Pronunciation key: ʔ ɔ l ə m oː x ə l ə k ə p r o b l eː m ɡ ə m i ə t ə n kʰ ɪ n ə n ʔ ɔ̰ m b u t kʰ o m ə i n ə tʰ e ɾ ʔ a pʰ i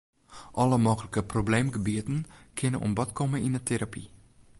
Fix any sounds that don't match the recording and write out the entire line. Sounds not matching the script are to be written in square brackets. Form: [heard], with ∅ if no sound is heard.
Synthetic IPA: ʔ ɔ l ə m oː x ə l ə k ə p r o b l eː m ɡ ə [b] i ə t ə n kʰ ɪ n ə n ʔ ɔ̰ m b [ɔ] t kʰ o m ə i n ə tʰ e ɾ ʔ a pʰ i

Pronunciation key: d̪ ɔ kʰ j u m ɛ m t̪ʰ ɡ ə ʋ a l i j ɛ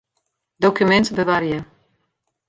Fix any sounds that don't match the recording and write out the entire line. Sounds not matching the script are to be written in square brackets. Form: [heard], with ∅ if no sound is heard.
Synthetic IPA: d̪ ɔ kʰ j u m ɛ [n] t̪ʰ [b] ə [v] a [ɾ] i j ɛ

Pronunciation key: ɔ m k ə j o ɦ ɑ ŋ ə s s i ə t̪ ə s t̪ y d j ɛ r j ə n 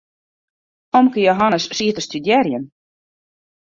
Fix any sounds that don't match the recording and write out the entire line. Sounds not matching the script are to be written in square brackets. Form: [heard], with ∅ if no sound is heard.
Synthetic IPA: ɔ m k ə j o ɦ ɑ [n] ə s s i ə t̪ ə s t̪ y d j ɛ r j ə n

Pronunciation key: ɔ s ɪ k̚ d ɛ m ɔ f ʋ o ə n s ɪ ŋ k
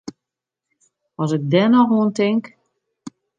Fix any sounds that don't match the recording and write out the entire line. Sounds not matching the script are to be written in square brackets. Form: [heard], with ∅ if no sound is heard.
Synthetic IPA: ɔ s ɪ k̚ d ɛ [n] ɔ [x] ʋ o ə n [t] ɪ ŋ k

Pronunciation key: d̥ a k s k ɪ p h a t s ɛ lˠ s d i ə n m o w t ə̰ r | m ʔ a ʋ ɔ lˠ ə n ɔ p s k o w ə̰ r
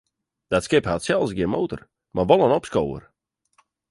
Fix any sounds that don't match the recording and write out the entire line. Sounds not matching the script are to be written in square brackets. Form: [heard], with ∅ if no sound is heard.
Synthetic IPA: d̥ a [t] s k ɪ p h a t s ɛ lˠ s [ɡ] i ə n m o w t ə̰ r | m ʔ a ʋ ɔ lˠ ə n ɔ p s k o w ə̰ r

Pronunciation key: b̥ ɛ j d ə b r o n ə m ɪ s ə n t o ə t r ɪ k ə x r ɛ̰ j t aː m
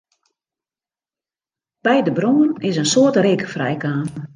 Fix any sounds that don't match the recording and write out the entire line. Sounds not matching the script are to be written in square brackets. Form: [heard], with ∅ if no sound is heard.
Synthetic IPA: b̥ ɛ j d ə b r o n ə [n] ɪ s ə n [s] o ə t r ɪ k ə [f] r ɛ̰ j [k] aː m

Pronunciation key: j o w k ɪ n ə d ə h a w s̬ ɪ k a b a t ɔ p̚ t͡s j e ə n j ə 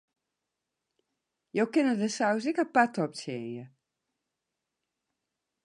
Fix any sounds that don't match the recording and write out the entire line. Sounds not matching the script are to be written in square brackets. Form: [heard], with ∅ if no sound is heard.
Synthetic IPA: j o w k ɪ n ə d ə [s] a w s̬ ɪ k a [p] a t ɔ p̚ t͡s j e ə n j ə

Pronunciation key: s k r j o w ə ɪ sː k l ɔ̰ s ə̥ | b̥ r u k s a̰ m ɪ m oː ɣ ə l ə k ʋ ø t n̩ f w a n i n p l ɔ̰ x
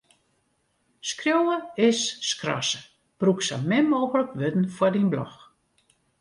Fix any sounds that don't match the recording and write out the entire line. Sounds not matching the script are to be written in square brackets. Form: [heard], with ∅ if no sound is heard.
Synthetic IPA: s k r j o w ə ɪ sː k [r] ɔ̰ s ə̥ | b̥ r u k s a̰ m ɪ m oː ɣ ə l ə k ʋ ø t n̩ f w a [d] i n [b] l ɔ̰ x

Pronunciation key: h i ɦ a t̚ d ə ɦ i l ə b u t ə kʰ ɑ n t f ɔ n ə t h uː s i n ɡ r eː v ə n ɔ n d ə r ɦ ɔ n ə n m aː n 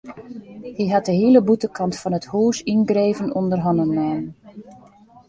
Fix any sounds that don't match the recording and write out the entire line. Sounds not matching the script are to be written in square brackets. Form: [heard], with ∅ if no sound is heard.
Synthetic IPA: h i ɦ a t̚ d ə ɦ i l ə b u t ə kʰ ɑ n t f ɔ n ə t h uː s i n ɡ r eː v ə n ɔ n d ə r ɦ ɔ n ə n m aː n

